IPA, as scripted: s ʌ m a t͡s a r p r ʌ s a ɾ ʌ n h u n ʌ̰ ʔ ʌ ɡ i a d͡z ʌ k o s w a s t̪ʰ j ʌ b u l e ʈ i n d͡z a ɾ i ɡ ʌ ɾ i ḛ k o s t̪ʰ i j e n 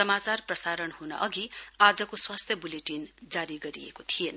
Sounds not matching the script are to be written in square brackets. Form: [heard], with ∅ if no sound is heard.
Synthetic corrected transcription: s ʌ m a t͡s a r p r ʌ s a ɾ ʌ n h u n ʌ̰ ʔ ʌ ɡ i a d͡z ʌ k o s w a s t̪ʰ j ʌ b u l e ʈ i n d͡z a ɾ i ɡ ʌ ɾ i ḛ k o [∅] t̪ʰ i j e n